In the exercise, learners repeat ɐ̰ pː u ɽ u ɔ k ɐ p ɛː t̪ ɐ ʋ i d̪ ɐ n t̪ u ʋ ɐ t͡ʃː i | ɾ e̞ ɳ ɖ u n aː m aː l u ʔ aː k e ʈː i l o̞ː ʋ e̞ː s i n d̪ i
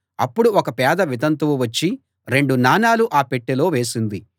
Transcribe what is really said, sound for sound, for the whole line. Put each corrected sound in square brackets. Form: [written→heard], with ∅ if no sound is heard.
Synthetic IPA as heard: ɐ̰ pː u ɽ u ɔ k ɐ p ɛː [t̪→d̪] ɐ ʋ i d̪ ɐ n t̪ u ʋ ɐ t͡ʃː i | ɾ e̞ ɳ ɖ u n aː [m→n] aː l u ʔ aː [k→p] e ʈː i l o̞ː ʋ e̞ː s i n d̪ i

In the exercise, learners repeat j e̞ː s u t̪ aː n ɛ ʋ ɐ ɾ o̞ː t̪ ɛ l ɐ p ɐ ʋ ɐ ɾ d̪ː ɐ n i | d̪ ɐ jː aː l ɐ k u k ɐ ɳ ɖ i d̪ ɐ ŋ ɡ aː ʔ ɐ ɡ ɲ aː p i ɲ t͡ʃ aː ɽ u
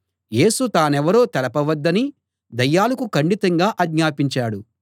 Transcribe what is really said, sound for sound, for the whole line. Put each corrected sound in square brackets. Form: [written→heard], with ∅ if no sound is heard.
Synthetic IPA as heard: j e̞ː s u t̪ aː n ɛ ʋ ɐ ɾ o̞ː t̪ ɛ l ɐ p ɐ ʋ ɐ [ɾ→∅] d̪ː ɐ n i | d̪ ɐ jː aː l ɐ k u k ɐ ɳ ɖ i [d̪→t̪] ɐ ŋ ɡ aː ʔ ɐ ɡ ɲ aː p i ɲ t͡ʃ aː ɽ u

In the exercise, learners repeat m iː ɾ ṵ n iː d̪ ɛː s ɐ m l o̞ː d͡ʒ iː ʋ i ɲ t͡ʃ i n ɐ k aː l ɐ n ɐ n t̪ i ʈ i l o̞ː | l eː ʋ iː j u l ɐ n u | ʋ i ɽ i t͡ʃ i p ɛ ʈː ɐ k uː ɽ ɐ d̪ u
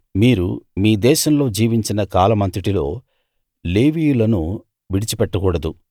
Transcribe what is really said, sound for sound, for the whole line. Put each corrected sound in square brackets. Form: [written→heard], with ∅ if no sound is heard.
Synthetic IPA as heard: m iː ɾ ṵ [n→m] iː d̪ ɛː [s→ʃ] ɐ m l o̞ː d͡ʒ iː ʋ i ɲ t͡ʃ i n ɐ k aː l ɐ [n→m] ɐ n t̪ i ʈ i l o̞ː | l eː ʋ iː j u l ɐ n u | ʋ i ɽ i t͡ʃ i p ɛ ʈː ɐ k uː ɽ ɐ d̪ u

